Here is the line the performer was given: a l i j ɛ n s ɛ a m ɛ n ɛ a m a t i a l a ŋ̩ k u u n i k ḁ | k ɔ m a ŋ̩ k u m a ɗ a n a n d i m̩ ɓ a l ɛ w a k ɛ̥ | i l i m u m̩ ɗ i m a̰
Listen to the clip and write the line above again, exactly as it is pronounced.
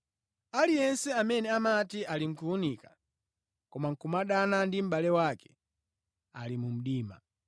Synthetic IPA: a l i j ɛ n s ɛ a m ɛ n ɛ a m a t i a l i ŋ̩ k u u n i k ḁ | k ɔ m a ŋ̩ k u m a ɗ a n a n d i m̩ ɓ a l ɛ w a k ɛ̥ | a l i m u m̩ ɗ iː m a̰